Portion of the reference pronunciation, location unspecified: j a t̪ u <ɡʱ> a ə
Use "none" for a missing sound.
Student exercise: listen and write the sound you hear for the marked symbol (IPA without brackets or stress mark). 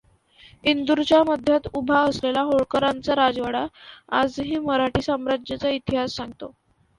bʱ